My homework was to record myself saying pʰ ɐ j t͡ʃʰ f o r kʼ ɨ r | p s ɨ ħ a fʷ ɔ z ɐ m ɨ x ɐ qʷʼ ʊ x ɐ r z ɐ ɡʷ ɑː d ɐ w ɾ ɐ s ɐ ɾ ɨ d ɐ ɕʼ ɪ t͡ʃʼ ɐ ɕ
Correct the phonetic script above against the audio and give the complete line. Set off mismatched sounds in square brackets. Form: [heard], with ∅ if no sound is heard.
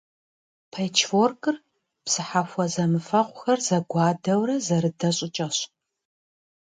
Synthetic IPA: pʰ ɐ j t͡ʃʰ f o r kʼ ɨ r | p s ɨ ħ a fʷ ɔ z ɐ m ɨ [f] ɐ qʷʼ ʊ x ɐ r z ɐ ɡʷ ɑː d ɐ w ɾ ɐ [z] ɐ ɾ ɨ d ɐ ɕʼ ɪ t͡ʃʼ ɐ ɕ